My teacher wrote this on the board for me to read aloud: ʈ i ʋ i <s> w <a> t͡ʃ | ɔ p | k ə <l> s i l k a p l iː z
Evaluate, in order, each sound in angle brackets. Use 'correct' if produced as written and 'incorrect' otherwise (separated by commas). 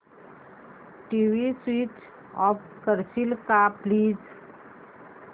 correct, incorrect, incorrect